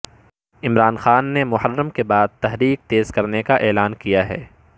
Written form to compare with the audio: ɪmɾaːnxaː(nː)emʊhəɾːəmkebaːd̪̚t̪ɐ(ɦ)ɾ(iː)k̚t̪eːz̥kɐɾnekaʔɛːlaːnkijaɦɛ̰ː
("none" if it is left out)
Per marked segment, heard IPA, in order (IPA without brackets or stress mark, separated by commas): nː, ɦ, iː